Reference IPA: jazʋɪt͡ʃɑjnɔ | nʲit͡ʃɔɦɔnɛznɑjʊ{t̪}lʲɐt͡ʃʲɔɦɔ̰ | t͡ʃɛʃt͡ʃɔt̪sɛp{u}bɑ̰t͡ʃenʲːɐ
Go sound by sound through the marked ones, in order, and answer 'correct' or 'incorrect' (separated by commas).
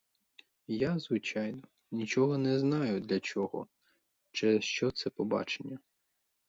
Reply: incorrect, incorrect